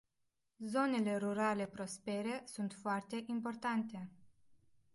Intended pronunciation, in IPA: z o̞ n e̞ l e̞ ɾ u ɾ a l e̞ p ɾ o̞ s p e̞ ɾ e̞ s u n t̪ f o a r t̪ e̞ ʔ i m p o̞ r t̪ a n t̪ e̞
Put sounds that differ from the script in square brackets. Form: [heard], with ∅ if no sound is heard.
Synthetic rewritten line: z o̞ n e̞ l e̞ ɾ u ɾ a l e̞ p ɾ o̞ s p e̞ ɾ e̞ s u n t̪ f o a r t̪ e̞ ʔ i m p o̞ r t̪ a n t̪ e̞